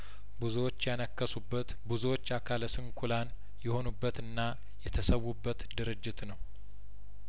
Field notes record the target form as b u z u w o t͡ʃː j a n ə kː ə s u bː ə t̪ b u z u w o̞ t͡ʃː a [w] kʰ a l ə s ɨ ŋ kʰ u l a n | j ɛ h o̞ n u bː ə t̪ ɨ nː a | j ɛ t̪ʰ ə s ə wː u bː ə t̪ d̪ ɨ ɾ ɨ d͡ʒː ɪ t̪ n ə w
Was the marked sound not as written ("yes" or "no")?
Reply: yes